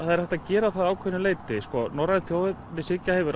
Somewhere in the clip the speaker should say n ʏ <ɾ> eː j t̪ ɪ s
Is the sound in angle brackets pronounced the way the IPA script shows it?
no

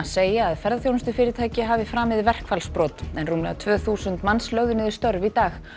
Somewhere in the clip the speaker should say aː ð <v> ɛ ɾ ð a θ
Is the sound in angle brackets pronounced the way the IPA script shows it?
no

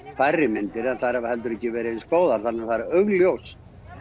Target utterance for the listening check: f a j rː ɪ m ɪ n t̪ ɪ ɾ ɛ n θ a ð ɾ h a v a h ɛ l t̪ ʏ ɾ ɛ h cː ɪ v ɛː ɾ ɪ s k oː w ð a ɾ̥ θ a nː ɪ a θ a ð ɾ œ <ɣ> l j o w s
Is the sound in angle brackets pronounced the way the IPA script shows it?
yes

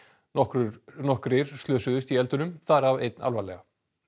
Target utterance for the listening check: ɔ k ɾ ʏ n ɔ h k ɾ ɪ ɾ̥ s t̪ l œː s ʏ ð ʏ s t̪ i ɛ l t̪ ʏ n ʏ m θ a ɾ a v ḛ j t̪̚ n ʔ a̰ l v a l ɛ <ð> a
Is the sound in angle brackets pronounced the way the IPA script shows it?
no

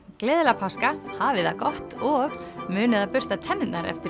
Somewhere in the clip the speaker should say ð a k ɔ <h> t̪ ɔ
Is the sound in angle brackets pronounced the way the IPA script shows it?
yes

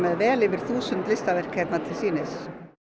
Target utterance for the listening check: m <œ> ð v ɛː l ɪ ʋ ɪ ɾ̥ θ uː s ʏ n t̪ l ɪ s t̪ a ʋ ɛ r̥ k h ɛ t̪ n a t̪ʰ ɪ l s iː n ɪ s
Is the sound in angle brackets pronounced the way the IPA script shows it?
no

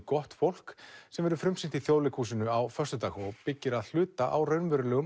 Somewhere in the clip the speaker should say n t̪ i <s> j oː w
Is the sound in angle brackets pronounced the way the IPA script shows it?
no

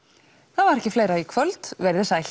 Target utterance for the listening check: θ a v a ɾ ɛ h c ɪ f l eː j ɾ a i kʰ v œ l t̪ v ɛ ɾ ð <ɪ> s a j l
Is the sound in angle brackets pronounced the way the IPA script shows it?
yes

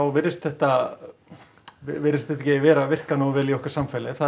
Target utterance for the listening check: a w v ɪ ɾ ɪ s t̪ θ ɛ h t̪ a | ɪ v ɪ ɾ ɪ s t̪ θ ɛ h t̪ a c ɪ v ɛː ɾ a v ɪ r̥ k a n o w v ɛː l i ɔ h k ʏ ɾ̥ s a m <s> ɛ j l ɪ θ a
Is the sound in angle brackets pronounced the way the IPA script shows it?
no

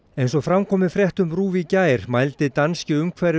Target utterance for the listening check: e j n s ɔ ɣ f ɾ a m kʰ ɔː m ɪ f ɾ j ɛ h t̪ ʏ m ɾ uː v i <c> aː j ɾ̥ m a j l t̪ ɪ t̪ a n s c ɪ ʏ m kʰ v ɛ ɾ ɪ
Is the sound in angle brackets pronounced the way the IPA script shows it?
yes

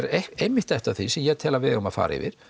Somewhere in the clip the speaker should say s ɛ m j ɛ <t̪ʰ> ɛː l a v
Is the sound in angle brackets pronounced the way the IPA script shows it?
yes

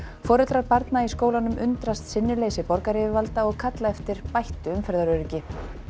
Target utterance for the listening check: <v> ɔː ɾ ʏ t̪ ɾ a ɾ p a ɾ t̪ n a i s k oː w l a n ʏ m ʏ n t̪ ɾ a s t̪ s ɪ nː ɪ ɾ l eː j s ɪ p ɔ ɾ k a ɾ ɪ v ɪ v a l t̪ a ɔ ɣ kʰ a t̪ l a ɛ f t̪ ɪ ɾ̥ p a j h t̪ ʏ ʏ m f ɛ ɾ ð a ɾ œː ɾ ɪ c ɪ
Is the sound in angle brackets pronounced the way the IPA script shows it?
no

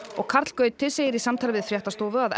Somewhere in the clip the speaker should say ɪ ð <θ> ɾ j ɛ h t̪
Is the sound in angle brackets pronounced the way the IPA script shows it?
no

